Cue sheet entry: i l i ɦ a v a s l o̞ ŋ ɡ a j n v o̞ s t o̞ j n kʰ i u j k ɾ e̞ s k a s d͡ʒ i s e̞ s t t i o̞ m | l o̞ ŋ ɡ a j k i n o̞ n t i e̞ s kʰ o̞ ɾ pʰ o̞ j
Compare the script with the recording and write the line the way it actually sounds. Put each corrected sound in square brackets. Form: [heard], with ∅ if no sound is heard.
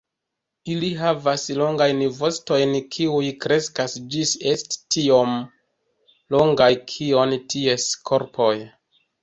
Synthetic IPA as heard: i l i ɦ a v a s l o̞ ŋ ɡ a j n v o̞ s t o̞ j n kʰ i u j k ɾ e̞ s k a s d͡ʒ i s e̞ s t t i o̞ m | l o̞ ŋ ɡ a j [kʰ] i [∅] o̞ n t i e̞ s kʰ o̞ ɾ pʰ o̞ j